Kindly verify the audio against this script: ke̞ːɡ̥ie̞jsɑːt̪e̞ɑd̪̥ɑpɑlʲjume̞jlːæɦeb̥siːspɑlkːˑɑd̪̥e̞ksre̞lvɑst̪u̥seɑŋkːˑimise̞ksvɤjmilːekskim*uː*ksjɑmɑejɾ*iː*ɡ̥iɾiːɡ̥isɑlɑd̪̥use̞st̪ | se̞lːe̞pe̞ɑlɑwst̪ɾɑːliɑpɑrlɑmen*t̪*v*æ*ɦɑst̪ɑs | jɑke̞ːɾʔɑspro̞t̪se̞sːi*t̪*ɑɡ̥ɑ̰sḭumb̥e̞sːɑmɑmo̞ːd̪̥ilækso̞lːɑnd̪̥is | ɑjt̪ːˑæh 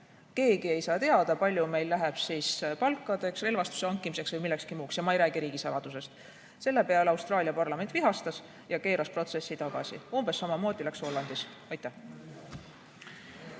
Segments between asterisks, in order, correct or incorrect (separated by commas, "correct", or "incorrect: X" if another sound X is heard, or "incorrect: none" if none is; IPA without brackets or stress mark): correct, incorrect: æː, correct, incorrect: i, correct